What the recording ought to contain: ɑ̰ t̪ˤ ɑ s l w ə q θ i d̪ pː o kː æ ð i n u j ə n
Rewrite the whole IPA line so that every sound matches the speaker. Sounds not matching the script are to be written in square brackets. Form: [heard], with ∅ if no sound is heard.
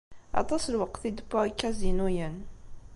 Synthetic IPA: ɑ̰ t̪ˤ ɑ s l w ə q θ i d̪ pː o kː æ [z] i n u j ə n